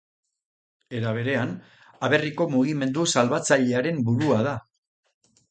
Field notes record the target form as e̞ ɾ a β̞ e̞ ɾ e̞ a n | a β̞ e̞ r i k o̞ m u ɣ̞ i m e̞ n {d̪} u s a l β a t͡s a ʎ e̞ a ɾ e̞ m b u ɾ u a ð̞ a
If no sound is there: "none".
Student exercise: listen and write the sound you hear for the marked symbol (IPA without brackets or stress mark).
d̪